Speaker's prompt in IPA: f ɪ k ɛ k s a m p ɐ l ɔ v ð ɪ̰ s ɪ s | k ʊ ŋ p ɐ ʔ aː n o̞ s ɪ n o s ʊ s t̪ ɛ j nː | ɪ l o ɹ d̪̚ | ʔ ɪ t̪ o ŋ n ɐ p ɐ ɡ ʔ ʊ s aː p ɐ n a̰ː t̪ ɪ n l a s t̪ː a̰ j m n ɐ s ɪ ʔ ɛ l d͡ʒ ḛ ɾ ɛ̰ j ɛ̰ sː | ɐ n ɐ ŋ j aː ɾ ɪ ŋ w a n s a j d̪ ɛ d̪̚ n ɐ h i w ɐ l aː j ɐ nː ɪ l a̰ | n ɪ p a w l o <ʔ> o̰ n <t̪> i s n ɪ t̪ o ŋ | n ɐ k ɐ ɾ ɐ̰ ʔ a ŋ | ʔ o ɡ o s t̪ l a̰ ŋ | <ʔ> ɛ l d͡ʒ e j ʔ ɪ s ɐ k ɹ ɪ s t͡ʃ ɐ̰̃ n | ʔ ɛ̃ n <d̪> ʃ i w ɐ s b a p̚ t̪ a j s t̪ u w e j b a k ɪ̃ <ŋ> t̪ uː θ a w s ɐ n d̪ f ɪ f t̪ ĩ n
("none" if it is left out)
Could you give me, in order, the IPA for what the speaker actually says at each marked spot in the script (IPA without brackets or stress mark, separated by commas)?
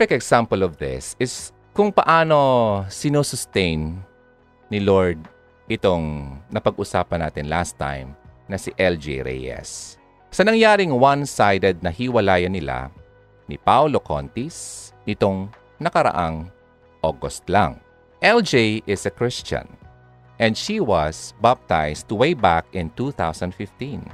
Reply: k, t̪, ʔ, d̪, n